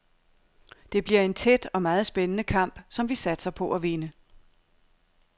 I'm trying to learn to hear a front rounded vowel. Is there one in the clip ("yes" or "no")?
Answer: no